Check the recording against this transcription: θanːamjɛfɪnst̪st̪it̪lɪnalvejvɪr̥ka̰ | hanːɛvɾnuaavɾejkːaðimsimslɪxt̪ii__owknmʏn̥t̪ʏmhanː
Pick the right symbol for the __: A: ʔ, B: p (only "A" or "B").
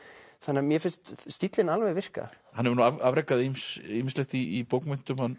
B